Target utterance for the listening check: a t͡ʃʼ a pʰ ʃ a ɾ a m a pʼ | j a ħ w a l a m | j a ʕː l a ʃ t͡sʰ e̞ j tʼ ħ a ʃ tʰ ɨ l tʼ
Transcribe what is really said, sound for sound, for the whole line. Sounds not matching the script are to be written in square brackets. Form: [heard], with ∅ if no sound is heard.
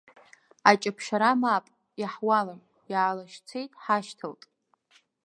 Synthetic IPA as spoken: a t͡ʃʼ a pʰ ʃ a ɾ a m a pʼ | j a ħ w a l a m | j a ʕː l a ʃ t͡sʰ e̞ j tʼ ħ a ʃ tʰ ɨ l tʼ